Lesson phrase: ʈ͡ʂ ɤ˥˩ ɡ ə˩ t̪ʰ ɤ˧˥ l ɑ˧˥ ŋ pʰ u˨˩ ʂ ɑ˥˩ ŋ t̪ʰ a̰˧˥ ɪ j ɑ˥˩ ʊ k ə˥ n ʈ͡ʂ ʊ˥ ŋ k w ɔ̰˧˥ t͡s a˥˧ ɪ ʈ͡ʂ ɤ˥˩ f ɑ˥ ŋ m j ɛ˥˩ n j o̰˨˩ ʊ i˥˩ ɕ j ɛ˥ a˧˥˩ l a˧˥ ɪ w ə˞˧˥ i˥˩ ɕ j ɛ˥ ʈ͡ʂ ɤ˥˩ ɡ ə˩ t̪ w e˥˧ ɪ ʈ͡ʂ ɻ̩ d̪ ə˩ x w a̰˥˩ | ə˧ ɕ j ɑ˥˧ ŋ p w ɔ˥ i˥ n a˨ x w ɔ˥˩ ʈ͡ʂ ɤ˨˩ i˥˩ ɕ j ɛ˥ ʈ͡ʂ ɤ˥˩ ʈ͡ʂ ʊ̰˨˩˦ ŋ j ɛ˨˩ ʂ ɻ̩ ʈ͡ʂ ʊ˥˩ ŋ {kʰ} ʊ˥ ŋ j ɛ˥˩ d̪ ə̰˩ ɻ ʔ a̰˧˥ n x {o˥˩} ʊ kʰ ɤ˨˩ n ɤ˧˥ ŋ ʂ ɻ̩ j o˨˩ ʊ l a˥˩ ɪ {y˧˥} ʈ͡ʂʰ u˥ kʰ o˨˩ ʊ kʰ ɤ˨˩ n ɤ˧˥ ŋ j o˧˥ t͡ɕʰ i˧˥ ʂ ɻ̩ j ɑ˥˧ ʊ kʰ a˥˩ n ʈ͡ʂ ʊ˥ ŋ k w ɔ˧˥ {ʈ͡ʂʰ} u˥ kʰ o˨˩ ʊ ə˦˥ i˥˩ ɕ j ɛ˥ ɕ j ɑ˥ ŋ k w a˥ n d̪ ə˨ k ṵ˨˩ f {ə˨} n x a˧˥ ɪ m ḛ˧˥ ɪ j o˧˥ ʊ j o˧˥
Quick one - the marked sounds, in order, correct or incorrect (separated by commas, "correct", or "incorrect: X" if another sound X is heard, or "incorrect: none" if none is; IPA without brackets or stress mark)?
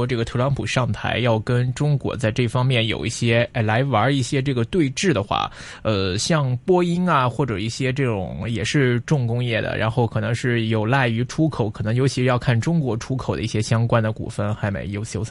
incorrect: k, correct, correct, correct, incorrect: ə˥˩